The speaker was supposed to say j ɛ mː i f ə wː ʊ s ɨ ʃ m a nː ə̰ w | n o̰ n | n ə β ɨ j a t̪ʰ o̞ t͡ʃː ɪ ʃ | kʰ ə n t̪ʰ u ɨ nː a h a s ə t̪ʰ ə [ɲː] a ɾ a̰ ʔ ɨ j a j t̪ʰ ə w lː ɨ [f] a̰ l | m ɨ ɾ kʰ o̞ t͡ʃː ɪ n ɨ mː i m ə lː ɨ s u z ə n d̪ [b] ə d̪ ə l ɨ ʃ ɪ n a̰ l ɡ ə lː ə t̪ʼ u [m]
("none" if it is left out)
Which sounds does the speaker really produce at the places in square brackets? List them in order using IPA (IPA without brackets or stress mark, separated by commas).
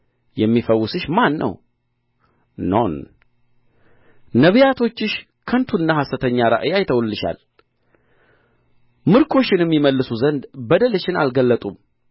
ɲː, ʃ, b, m